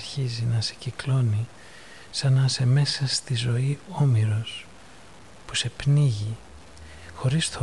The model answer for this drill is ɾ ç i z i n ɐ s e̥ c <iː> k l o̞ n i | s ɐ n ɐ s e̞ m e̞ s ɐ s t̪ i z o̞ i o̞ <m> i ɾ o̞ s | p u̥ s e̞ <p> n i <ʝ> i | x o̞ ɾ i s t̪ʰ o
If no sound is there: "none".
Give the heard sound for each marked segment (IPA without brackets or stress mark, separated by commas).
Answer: i, m, p, ʝ